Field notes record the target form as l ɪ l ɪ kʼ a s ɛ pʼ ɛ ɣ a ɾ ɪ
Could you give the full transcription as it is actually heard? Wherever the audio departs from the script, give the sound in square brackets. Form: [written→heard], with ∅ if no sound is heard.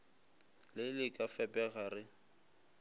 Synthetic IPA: l ɪ l ɪ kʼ a [s→f] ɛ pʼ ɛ ɣ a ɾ ɪ